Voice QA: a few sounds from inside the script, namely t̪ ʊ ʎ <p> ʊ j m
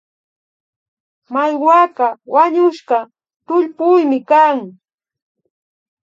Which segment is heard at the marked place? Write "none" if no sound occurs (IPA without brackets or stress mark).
p